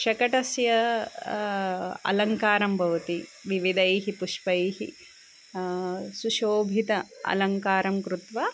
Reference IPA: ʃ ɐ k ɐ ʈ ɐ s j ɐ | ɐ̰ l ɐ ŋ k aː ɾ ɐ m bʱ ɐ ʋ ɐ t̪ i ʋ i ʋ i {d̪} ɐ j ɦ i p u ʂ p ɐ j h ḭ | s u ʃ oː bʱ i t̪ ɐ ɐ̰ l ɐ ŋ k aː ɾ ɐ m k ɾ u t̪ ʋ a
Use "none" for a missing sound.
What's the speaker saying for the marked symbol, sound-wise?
d̪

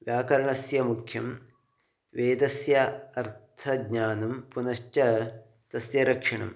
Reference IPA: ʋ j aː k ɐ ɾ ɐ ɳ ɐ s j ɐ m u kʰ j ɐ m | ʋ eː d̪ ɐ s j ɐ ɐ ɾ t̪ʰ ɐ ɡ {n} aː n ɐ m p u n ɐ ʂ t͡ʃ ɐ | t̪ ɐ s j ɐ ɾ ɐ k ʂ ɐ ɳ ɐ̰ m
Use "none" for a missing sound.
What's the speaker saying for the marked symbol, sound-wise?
ɲ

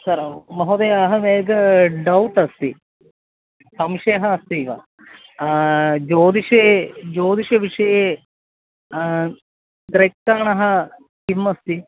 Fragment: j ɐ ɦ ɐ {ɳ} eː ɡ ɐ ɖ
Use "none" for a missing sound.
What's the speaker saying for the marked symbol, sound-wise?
m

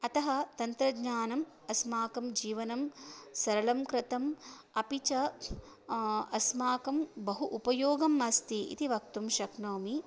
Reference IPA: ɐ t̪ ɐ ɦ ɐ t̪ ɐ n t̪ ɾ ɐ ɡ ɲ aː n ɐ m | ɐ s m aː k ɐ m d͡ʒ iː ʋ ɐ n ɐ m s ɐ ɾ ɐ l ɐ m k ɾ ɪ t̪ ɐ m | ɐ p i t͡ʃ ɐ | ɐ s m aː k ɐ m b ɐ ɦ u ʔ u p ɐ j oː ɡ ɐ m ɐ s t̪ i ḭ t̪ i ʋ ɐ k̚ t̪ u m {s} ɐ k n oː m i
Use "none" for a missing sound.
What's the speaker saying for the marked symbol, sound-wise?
ʃ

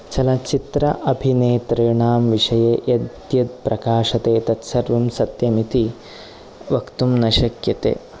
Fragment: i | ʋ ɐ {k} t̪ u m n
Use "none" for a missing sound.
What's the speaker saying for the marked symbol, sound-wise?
k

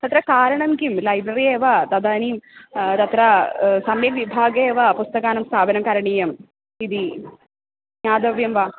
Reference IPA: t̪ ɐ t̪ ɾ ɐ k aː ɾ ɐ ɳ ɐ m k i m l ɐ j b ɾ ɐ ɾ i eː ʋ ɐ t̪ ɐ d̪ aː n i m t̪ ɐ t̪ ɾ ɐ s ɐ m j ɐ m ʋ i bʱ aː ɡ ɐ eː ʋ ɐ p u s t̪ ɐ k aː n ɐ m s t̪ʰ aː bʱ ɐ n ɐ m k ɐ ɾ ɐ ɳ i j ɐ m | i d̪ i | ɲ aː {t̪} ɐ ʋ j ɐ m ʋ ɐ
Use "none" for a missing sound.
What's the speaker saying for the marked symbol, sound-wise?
d̪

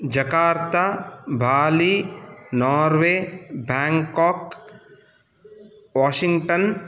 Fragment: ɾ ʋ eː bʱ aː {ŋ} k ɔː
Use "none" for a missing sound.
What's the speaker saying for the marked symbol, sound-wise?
ŋ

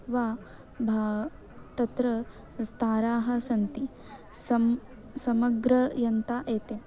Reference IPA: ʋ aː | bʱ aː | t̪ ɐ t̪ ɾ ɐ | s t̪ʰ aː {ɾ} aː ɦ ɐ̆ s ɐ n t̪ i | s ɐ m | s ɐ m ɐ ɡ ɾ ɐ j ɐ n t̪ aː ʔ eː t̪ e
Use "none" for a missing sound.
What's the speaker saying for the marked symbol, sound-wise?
ɾ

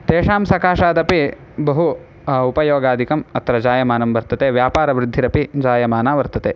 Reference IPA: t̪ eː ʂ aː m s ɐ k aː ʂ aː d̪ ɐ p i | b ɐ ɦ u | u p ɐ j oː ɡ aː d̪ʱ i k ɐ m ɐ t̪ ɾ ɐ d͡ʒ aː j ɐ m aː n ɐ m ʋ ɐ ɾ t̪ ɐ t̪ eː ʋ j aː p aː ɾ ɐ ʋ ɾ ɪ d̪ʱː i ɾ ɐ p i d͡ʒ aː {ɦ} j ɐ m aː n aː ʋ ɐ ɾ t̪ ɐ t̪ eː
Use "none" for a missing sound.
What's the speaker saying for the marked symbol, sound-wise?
none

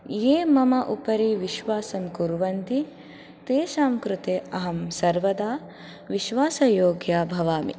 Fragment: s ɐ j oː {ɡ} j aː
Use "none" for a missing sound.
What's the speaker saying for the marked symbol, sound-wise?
ɡ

